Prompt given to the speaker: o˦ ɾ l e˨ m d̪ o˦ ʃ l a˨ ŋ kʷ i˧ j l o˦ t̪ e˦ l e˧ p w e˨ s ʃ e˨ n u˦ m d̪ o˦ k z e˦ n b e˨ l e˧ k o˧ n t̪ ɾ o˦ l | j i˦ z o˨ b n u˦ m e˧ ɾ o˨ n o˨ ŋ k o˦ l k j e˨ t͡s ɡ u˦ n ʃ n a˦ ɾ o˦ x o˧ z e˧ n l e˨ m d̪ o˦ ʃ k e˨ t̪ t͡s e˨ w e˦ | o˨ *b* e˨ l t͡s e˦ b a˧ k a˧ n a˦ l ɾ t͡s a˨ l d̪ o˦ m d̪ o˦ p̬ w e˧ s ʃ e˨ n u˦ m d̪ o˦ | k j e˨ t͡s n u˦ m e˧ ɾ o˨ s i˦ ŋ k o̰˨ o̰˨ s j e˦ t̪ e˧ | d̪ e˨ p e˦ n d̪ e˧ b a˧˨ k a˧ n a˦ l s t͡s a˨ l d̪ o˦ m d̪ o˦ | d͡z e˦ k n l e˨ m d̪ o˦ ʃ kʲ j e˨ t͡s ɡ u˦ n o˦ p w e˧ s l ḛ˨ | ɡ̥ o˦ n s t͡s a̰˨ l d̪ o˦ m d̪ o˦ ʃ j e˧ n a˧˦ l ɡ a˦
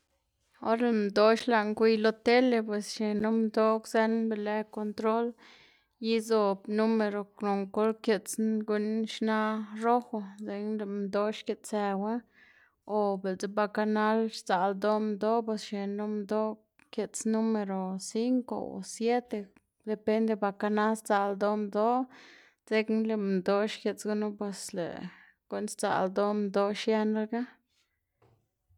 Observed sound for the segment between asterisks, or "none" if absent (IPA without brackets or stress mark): b